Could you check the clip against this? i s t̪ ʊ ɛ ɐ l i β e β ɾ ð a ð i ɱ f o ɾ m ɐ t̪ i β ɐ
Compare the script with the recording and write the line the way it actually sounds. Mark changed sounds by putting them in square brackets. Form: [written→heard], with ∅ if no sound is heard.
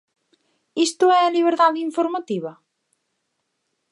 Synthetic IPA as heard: i s t̪ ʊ ɛ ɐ l i β e [β→∅] ɾ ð a ð i ɱ f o ɾ m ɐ t̪ i β ɐ